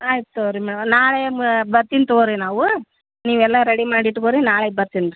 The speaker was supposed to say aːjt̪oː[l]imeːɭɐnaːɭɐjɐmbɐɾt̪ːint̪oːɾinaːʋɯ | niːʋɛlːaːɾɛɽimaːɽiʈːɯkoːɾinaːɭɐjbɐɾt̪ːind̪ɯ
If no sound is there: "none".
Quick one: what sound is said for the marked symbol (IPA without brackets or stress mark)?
ɾ